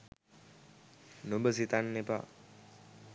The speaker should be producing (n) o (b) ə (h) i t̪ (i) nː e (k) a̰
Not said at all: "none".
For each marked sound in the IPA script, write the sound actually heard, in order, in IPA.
n, b, s, a, p

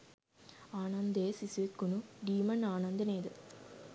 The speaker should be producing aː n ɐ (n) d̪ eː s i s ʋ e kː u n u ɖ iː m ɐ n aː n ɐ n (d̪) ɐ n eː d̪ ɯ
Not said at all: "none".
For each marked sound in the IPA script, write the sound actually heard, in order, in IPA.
n, d̪

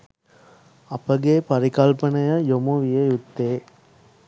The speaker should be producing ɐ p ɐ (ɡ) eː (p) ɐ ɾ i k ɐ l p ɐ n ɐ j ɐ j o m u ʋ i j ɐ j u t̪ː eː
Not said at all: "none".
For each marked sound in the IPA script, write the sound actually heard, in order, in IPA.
ɡ, p

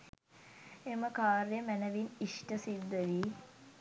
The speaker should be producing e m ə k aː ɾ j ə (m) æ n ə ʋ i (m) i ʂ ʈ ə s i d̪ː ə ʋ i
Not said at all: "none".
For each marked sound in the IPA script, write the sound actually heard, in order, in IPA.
m, n

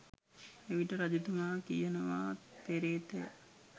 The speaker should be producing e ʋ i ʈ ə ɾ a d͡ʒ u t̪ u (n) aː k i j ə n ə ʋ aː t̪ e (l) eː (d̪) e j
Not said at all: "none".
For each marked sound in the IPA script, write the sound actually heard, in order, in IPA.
m, ɾ, t̪

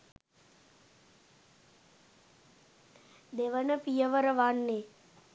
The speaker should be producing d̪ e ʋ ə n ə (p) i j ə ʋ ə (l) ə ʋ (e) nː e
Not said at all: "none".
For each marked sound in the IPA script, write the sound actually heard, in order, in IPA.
p, ɾ, a

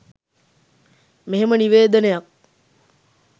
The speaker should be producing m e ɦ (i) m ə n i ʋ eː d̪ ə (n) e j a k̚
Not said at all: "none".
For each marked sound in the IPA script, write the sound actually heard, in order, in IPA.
e, n

